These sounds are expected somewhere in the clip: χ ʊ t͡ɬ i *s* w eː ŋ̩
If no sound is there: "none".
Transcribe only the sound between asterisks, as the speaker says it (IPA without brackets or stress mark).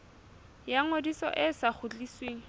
s